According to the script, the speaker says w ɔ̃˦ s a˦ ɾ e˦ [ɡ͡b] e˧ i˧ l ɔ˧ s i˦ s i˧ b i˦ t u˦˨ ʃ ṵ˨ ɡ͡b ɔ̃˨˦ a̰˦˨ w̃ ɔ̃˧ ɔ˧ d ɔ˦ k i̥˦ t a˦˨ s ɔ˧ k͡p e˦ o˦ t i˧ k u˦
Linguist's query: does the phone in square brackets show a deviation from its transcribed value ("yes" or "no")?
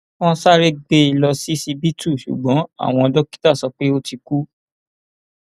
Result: no